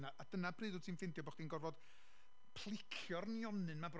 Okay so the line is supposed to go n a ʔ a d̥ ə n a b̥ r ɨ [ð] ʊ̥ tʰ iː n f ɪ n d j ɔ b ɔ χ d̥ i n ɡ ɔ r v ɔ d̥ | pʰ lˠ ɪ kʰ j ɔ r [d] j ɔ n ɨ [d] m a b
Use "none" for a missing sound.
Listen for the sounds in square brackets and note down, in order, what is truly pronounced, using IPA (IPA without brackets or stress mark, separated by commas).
ð, n, n